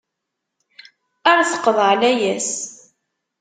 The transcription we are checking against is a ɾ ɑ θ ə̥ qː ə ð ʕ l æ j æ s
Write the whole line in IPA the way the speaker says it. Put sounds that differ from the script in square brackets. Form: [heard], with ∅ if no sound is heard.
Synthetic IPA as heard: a ɾ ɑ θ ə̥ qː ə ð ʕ l æ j æ s